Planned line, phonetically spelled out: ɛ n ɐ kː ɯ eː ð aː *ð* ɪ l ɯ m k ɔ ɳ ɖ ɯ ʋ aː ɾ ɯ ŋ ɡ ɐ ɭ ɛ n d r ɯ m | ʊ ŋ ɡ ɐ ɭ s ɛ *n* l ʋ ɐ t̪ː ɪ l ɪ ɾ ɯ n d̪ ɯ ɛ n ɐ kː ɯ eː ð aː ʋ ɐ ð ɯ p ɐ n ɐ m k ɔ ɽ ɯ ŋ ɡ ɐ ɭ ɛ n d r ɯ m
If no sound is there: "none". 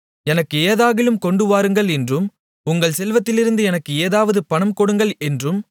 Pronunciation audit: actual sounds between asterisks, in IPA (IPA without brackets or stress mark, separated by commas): ɣ, none